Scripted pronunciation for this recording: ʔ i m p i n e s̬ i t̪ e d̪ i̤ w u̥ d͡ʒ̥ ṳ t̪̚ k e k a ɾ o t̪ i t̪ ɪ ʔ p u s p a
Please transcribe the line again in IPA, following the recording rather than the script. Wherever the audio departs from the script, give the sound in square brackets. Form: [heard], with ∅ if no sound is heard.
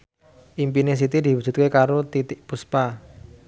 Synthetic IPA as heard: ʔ i m p i n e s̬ i t̪ [i] d̪ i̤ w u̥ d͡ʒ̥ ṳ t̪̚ k e k a ɾ o t̪ i t̪ ɪ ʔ p u s p a